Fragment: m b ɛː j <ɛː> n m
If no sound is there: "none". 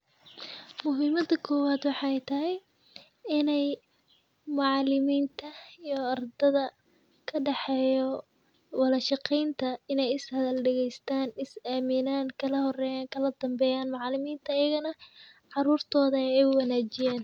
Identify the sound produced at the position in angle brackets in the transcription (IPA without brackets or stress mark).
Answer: aː